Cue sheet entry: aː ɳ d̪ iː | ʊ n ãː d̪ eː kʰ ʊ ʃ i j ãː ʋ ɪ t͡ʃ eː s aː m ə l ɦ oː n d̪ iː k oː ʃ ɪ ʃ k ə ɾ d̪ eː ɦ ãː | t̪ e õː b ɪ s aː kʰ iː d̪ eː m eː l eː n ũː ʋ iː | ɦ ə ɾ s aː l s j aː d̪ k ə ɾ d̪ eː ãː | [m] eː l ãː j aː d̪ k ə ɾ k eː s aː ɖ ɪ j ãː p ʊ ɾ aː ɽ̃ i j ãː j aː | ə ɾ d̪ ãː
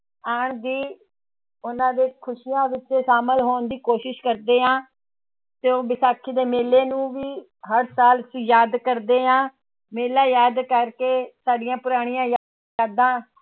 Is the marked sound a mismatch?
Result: no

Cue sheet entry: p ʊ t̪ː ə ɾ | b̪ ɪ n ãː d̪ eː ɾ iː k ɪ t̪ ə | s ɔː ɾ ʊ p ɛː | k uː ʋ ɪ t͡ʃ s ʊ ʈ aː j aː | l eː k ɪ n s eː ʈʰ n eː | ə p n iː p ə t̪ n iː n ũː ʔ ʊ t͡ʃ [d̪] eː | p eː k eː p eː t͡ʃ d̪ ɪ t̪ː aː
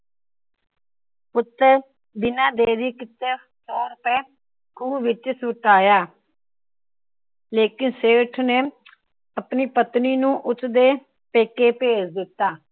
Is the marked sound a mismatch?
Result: no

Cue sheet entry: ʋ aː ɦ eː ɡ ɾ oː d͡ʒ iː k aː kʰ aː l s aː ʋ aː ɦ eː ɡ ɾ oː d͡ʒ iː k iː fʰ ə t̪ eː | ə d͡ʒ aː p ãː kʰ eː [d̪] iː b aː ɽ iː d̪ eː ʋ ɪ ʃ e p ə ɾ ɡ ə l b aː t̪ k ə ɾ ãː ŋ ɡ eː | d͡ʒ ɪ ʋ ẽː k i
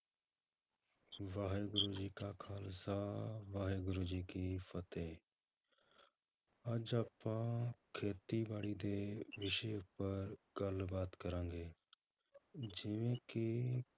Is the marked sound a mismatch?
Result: yes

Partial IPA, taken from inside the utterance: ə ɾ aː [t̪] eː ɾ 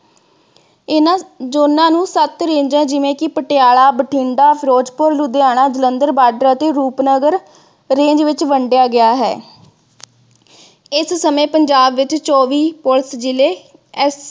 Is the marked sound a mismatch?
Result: no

